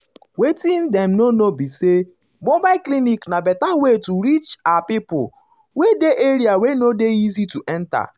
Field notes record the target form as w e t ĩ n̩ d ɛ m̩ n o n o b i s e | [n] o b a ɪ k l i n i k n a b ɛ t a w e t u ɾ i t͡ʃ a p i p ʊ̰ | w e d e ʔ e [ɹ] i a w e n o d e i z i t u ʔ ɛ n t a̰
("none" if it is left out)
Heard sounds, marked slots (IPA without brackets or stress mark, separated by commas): m, ɾ